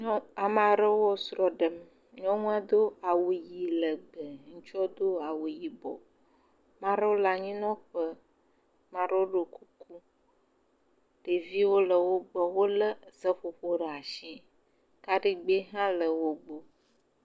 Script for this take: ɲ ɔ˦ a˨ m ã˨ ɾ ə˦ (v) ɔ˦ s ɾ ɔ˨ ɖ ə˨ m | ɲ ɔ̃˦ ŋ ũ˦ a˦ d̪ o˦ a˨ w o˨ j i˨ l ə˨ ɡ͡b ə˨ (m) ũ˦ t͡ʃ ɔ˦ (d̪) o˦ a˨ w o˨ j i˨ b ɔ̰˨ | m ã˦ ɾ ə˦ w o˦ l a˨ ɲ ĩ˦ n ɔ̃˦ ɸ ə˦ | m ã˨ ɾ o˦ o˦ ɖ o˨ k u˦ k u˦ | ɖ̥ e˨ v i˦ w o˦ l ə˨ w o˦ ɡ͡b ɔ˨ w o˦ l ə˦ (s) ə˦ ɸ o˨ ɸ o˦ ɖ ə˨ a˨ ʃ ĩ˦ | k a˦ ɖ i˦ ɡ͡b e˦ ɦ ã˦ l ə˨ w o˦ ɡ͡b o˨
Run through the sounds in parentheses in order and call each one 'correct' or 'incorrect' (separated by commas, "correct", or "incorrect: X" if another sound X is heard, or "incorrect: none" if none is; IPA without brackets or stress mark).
incorrect: w, incorrect: ŋ, correct, incorrect: z